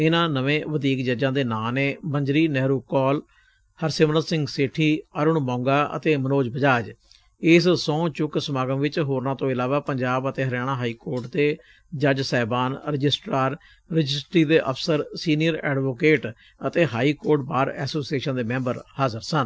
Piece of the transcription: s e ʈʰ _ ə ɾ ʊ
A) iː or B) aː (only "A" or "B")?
A